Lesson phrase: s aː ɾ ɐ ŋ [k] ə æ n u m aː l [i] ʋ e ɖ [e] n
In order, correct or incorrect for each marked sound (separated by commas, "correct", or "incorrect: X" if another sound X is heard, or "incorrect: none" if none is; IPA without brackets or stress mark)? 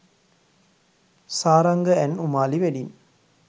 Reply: incorrect: ɡ, correct, incorrect: i